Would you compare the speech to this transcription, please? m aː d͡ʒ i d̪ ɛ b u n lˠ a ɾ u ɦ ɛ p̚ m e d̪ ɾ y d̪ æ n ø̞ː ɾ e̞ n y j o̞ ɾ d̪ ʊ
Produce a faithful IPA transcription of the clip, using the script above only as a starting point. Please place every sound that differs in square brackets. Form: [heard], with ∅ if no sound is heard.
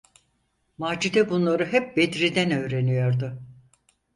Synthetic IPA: m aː d͡ʒ i d̪ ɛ b u n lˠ a ɾ [ɯ] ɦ ɛ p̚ [b] e d̪ ɾ [i] d̪ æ n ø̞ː ɾ e̞ n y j o̞ ɾ d̪ ʊ